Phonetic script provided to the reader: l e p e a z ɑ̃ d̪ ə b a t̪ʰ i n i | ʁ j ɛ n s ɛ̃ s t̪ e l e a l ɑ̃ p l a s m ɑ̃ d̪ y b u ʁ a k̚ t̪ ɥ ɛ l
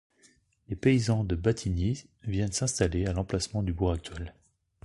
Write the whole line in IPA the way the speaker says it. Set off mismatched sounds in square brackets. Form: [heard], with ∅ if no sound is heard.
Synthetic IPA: l e p e [i] z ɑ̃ d̪ ə b a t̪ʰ i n i | [v] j ɛ n s ɛ̃ s t̪ [a] l e a l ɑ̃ p l a s m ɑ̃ d̪ y b u ʁ a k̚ t̪ ɥ ɛ l